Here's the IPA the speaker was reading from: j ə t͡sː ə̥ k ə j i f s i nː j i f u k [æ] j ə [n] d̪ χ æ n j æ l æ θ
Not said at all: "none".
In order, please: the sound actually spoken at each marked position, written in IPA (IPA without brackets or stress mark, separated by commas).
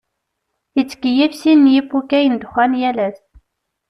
æ, n